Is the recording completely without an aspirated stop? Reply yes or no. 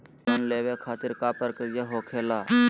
no